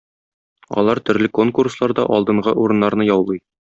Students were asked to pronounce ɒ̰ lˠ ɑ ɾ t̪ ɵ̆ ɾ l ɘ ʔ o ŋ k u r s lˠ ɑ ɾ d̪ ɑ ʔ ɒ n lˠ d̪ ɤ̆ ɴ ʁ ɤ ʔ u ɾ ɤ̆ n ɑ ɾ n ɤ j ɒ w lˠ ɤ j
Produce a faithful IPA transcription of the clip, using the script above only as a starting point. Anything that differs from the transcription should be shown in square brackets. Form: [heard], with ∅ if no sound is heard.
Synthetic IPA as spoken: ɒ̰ lˠ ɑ ɾ t̪ ɵ̆ ɾ l ɘ [k] o ŋ k u r s lˠ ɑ ɾ d̪ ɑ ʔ ɒ [∅] lˠ d̪ ɤ̆ ɴ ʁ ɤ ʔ u ɾ ɤ̆ [nː] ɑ ɾ n ɤ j ɒ w lˠ ɤ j